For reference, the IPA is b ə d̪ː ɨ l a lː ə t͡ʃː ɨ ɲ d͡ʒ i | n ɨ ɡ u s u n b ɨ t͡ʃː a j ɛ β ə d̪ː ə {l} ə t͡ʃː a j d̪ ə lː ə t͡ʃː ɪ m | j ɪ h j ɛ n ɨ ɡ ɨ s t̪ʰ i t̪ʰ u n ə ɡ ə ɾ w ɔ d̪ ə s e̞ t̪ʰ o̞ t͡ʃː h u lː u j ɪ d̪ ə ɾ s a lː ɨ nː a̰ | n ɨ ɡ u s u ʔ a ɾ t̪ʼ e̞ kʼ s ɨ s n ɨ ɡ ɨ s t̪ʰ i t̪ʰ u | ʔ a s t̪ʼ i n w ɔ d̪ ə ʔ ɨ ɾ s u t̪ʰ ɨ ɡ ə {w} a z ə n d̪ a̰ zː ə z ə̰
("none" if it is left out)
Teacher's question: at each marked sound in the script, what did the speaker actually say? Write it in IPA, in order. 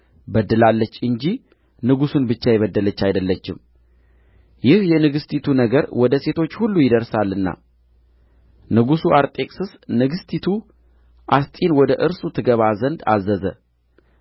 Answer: l, β

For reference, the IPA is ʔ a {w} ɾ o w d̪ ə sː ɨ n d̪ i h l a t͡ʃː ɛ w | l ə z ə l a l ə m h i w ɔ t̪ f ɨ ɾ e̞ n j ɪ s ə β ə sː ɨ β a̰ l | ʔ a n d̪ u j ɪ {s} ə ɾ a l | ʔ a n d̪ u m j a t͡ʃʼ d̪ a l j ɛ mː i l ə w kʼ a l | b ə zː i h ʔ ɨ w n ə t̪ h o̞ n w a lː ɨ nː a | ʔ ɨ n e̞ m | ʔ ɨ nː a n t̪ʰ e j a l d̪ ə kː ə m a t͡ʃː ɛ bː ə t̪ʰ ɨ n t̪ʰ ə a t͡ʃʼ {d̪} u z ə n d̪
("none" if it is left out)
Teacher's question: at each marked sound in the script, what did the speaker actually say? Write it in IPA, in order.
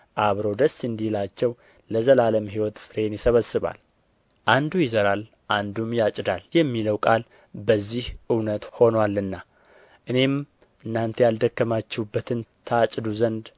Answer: β, z, d̪

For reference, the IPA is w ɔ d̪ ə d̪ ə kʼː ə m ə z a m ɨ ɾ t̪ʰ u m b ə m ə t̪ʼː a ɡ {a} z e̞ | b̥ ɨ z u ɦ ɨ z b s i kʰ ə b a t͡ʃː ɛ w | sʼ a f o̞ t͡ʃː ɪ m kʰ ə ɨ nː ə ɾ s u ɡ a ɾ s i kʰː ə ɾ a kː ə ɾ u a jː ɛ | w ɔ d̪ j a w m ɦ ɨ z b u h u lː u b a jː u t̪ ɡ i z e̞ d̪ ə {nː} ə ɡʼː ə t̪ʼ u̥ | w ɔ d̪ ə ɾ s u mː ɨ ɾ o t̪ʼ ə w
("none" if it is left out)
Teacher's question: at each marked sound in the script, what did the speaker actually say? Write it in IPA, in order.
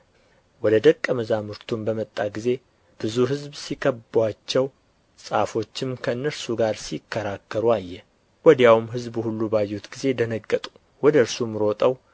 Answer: i, n

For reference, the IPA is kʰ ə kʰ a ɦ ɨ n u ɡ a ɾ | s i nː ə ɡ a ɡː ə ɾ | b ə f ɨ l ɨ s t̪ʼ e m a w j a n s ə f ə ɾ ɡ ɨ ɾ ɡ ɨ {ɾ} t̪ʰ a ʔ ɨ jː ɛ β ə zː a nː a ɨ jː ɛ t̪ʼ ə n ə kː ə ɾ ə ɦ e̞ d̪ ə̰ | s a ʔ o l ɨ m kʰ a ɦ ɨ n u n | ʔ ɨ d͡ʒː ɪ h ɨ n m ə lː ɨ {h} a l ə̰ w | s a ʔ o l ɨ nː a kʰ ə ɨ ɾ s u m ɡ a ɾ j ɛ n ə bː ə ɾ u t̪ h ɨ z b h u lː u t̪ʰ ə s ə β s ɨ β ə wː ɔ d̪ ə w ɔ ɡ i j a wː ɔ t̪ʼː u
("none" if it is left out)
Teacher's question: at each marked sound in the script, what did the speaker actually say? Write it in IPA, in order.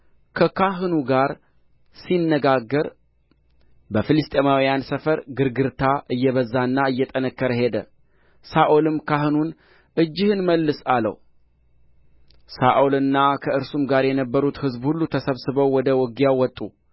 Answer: ɾ, s

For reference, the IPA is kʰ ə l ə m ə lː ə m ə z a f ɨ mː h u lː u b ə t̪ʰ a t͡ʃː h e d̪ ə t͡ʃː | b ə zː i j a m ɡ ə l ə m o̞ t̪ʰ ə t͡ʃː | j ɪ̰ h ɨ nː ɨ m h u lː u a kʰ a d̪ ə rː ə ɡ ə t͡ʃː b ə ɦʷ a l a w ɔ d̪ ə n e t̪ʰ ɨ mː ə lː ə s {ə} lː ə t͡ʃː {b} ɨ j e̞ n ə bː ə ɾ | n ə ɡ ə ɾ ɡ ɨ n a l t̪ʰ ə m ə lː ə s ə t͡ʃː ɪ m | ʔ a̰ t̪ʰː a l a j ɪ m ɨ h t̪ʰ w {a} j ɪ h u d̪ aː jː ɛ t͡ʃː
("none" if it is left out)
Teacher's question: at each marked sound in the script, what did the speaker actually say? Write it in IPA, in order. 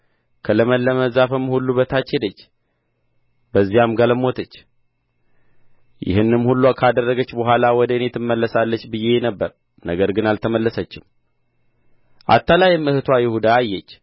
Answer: a, b, a

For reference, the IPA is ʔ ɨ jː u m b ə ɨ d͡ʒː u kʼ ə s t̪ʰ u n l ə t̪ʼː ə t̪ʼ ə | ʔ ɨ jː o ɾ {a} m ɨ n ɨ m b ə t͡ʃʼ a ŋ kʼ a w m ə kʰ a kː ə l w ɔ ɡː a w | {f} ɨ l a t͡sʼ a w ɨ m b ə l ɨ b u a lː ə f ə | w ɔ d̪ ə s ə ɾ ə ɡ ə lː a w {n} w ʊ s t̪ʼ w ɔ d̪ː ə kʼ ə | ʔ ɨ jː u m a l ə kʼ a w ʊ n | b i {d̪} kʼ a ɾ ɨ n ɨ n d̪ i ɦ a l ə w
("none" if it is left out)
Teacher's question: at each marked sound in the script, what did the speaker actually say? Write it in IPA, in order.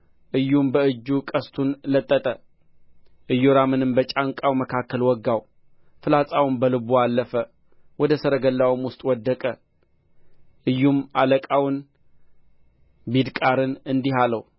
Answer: a, f, m, d̪

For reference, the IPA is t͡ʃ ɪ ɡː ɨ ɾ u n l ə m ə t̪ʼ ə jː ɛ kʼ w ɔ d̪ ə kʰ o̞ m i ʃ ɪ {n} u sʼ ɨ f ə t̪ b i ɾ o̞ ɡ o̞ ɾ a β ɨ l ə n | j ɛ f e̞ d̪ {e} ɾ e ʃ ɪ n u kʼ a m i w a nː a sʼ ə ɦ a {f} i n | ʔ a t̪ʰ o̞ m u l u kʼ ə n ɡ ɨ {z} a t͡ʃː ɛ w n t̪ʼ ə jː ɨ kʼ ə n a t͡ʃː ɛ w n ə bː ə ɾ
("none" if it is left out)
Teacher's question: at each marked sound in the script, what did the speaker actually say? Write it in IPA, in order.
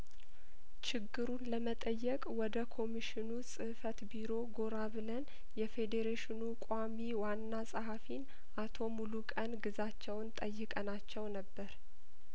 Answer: n, e, f, z

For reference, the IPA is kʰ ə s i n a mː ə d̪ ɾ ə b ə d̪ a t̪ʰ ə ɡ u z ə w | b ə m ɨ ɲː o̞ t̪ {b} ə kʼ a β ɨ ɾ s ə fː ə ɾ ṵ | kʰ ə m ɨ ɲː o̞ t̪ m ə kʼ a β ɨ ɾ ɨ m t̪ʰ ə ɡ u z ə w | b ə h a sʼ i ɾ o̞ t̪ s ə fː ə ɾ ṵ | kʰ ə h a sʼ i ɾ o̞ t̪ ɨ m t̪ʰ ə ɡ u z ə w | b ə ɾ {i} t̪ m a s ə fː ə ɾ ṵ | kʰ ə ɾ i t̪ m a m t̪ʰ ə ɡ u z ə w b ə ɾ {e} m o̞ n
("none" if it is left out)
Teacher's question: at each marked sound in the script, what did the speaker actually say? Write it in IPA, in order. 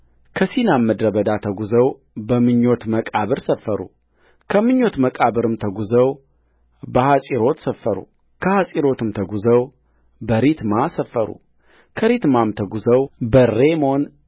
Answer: m, i, e

